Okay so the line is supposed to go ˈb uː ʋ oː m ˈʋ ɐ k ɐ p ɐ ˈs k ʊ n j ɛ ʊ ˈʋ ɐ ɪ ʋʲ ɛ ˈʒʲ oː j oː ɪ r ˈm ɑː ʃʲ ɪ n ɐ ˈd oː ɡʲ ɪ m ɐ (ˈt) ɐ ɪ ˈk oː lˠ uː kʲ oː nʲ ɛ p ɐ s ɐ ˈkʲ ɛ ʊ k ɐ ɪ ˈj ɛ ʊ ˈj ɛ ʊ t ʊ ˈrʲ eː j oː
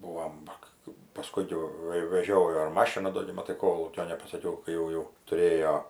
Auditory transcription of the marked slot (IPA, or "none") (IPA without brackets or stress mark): t